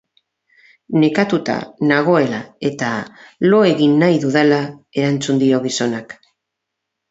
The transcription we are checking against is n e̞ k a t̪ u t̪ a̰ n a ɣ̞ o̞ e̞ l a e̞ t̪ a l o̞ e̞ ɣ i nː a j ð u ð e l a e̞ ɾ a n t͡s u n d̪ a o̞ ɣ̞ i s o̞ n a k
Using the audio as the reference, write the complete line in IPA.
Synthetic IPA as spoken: n e̞ k a t̪ u t̪ a̰ n a ɣ̞ o̞ e̞ l a e̞ t̪ a l o̞ e̞ ɣ i nː a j ð u ð e l a e̞ ɾ a n t͡s u n d̪ i o̞ ɣ̞ i s o̞ n a k

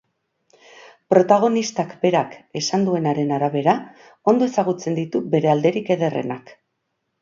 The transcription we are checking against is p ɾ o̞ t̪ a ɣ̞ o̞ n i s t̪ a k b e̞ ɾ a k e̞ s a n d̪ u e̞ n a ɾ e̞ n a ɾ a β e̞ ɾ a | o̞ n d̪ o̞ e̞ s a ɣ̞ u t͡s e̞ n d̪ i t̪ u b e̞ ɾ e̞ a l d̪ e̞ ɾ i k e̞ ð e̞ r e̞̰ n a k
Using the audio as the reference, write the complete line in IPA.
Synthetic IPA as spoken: p ɾ o̞ t̪ a ɣ̞ o̞ n i s t̪ a k b e̞ ɾ a k e̞ s a n d̪ u e̞ n a ɾ e̞ n a ɾ a β e̞ ɾ a | o̞ n d̪ o̞ e̞ s a ɣ̞ u t͡s e̞ n d̪ i t̪ u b e̞ ɾ e̞ a l d̪ e̞ ɾ i k e̞ ð e̞ r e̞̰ n a k

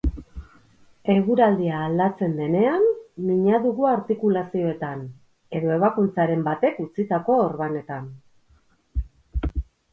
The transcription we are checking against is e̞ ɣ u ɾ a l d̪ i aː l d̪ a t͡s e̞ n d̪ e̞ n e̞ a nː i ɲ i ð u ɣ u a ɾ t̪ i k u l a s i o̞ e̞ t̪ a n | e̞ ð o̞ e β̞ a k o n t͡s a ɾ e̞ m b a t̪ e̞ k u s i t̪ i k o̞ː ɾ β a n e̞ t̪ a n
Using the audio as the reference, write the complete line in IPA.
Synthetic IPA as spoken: e̞ ɣ u ɾ a l d̪ i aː l d̪ a t͡s e̞ n d̪ e̞ n e̞ a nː i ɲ a ð u ɣ u a ɾ t̪ i k u l a s i o̞ e̞ t̪ a n | e̞ ð o̞ e β̞ a k u n t͡s a ɾ e̞ m b a t̪ e̞ k u t͡s i t̪ a k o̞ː ɾ β a n e̞ t̪ a n

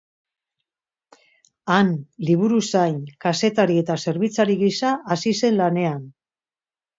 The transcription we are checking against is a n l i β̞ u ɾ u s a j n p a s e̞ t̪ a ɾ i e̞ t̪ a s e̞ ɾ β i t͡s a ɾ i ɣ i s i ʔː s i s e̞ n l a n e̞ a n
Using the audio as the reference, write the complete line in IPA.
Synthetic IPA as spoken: a n l i β̞ u ɾ u s a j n k a s e̞ t̪ a ɾ i e̞ t̪ a s e̞ ɾ β i t͡s a ɾ i ɣ i s a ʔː s i s e̞ n l a n e̞ a n

